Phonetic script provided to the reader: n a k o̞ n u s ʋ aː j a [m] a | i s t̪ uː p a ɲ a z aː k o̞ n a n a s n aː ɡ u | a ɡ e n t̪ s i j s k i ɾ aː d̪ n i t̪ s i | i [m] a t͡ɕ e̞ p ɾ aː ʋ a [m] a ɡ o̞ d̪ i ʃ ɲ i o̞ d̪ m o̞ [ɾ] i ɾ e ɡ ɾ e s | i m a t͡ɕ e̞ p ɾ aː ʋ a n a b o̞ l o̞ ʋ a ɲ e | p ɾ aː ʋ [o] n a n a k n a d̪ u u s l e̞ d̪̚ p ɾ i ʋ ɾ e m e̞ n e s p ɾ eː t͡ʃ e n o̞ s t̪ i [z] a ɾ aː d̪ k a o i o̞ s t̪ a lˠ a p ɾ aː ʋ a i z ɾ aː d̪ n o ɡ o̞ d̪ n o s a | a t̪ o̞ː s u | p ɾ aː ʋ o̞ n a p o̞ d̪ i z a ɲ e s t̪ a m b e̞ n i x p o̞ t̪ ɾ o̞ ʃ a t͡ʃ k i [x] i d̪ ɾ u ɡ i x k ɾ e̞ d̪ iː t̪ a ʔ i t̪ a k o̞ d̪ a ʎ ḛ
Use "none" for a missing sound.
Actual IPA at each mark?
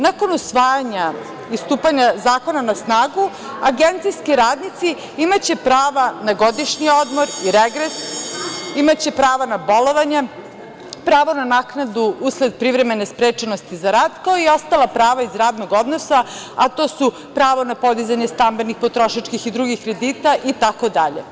ɲ, m, n, ɾ, o, z, x

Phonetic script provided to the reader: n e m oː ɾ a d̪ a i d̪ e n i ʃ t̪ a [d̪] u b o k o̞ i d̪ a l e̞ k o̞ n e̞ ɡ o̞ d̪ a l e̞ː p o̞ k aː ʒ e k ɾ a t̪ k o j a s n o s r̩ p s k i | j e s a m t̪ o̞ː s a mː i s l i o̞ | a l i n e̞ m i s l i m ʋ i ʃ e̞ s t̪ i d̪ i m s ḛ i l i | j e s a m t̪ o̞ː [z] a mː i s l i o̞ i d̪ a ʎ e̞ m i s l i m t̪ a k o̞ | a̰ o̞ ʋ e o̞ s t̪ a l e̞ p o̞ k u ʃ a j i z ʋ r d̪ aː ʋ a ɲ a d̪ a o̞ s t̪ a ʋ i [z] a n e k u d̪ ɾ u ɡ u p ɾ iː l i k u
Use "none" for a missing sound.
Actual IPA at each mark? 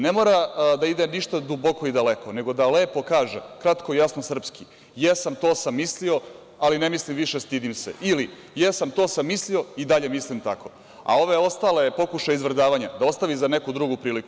d̪, s, z

